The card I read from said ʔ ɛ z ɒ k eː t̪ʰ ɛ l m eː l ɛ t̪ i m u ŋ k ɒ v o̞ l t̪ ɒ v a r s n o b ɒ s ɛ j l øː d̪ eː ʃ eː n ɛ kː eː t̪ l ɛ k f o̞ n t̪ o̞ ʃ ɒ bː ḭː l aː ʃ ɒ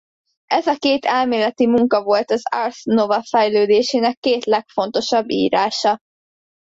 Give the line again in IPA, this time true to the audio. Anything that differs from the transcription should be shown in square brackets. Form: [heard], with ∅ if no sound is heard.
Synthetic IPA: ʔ ɛ z ɒ k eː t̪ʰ ɛ l m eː l ɛ t̪ i m u ŋ k ɒ v o̞ l t̪ ɒ [z] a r s n o [v] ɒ [f] ɛ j l øː d̪ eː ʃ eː n ɛ kː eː t̪ l ɛ k f o̞ n t̪ o̞ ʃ ɒ bː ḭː [ɾ] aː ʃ ɒ